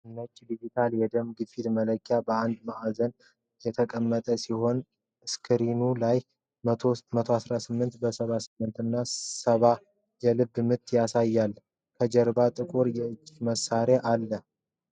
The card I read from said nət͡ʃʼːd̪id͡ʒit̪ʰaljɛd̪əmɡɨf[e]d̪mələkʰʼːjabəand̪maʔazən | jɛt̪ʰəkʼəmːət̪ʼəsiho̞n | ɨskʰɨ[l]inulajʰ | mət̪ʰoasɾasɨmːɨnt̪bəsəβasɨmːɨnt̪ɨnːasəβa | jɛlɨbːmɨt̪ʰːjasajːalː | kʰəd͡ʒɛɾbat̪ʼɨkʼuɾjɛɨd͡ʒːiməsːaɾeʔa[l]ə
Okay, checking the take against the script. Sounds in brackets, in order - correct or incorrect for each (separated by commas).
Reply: incorrect, incorrect, incorrect